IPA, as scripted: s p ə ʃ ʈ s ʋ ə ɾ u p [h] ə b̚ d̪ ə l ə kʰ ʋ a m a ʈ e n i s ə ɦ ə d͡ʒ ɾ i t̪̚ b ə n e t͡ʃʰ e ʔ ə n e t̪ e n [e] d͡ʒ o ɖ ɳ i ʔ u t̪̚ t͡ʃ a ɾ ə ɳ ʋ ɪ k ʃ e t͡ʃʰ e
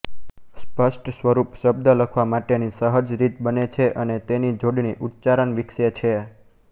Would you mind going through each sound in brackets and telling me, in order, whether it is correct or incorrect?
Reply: incorrect: ʃ, incorrect: i

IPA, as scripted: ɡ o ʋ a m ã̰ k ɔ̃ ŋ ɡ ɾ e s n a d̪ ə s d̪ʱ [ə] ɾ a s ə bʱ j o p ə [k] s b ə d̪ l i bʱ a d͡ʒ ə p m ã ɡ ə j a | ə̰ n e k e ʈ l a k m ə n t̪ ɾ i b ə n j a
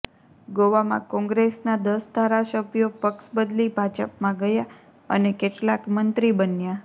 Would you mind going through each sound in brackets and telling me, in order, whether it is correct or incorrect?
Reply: incorrect: a, correct

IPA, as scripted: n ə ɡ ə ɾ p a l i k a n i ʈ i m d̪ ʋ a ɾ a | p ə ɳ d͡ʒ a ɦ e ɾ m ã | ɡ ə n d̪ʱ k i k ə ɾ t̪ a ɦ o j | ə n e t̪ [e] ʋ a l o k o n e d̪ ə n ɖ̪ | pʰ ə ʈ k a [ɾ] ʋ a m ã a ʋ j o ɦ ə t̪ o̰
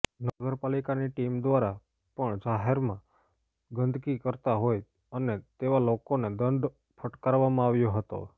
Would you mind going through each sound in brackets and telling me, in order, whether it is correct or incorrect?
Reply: correct, correct

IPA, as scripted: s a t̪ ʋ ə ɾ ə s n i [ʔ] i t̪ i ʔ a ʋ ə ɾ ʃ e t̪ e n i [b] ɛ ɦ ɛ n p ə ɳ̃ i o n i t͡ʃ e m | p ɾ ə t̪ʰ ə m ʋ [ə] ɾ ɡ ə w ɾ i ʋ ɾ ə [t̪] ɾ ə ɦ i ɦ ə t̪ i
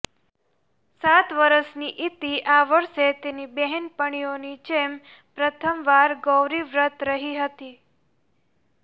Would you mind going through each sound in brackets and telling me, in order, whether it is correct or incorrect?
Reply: correct, correct, incorrect: a, correct

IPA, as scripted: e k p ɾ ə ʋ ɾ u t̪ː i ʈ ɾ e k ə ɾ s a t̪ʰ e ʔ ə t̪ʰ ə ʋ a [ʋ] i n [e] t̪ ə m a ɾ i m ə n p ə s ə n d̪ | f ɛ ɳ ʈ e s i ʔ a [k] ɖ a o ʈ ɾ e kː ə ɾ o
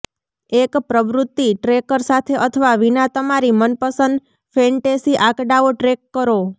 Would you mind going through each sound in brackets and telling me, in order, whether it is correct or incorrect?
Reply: correct, incorrect: a, correct

